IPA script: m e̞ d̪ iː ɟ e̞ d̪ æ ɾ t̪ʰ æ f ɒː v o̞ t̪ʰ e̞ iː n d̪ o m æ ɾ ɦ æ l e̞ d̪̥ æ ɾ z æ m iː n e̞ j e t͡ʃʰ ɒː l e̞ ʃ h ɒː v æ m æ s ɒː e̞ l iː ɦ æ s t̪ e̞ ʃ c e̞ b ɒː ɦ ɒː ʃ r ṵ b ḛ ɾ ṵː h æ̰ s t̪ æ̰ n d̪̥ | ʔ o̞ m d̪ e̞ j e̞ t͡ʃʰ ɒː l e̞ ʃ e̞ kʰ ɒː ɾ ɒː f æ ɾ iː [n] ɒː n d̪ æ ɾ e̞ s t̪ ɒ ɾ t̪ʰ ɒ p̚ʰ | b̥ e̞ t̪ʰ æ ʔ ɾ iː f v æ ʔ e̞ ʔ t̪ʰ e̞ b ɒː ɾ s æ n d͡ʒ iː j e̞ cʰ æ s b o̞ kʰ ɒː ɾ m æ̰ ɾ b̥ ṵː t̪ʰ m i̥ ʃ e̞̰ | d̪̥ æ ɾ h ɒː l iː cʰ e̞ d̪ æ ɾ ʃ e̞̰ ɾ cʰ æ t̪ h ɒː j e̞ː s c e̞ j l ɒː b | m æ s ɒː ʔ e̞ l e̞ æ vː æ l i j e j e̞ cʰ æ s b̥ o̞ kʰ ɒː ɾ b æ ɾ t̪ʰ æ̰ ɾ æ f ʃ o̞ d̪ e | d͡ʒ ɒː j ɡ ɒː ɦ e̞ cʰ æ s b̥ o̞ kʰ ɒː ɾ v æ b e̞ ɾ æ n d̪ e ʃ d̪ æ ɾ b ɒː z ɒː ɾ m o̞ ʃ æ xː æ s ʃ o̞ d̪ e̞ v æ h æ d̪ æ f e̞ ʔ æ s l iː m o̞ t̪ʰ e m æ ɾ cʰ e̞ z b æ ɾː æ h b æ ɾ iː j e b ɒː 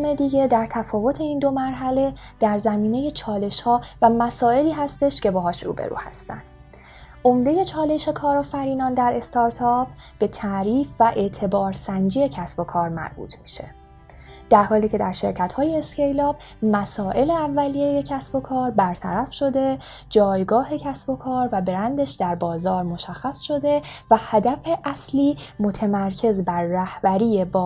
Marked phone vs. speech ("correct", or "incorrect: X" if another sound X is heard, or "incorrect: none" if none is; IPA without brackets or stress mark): correct